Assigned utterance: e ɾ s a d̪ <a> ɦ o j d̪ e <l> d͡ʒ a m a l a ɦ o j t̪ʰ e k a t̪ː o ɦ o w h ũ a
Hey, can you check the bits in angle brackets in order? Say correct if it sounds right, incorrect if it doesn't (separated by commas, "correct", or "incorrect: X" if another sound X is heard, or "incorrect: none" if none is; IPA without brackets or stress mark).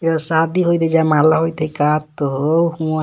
incorrect: i, incorrect: none